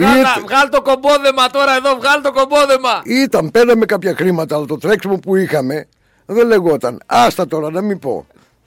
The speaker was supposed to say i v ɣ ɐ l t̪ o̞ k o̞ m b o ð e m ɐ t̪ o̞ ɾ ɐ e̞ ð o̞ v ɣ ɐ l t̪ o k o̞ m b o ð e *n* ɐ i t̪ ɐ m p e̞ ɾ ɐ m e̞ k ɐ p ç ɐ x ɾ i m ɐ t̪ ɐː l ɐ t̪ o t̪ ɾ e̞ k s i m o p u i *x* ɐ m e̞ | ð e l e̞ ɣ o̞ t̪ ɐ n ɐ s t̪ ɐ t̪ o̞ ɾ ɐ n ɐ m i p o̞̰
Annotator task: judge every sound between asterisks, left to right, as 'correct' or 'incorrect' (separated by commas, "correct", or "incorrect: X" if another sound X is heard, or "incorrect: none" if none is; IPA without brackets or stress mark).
incorrect: m, correct